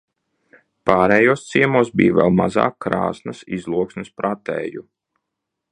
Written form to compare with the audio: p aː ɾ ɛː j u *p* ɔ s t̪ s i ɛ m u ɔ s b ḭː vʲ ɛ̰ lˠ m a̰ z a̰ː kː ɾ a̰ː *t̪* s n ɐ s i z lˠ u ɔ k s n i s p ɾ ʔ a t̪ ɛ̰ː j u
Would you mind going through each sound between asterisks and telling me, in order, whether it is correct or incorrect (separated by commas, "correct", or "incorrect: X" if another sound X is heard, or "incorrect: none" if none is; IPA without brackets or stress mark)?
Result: incorrect: none, incorrect: none